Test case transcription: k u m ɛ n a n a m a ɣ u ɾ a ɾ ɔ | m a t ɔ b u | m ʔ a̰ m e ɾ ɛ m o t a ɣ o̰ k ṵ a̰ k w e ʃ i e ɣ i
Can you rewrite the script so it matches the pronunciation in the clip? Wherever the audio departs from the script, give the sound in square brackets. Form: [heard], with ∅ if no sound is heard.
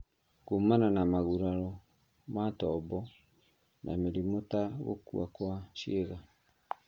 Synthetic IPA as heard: k u m [a] n a n a m a ɣ u ɾ a ɾ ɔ | m a t ɔ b [ɔ] | [n] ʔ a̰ m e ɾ [i] m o t a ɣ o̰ k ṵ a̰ k w [a] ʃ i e ɣ [a]